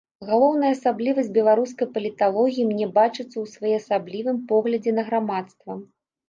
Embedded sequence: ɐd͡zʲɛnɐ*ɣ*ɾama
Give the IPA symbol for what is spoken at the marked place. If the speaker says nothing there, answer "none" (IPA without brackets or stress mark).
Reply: ɣ